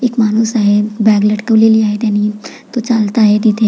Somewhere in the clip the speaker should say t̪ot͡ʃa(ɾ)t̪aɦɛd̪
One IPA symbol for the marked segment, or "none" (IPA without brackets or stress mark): l